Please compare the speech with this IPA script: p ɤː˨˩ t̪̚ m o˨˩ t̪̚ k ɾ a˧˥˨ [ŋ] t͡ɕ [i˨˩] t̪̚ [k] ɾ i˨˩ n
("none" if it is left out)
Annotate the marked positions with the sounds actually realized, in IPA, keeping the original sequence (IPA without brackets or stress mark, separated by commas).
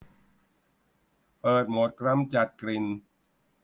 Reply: m, a˨˩, k